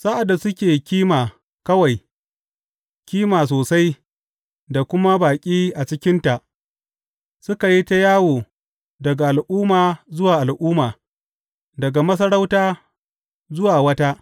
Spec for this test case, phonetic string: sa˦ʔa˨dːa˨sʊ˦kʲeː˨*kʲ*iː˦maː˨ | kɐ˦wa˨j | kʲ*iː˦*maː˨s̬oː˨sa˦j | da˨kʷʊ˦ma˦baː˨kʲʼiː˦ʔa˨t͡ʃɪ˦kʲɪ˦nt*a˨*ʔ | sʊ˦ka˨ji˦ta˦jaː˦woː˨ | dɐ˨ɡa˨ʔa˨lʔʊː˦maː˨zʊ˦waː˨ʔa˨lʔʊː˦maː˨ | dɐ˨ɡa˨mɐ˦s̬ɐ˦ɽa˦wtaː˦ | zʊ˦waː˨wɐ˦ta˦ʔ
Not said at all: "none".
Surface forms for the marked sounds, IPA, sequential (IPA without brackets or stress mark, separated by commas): kʲ, iː˦, a˨